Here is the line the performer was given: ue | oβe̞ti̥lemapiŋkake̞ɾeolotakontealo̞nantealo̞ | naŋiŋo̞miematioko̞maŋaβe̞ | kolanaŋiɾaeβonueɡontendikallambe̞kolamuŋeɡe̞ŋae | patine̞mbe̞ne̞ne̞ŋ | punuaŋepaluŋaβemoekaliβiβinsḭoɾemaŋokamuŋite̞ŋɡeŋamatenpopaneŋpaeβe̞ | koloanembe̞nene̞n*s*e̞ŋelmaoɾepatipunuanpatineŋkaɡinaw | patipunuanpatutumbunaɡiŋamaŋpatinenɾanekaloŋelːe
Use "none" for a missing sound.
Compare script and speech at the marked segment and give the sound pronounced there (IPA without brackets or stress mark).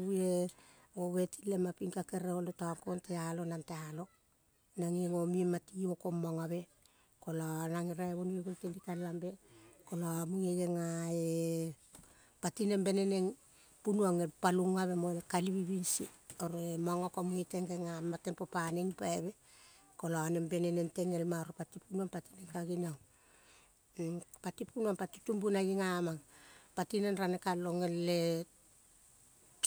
t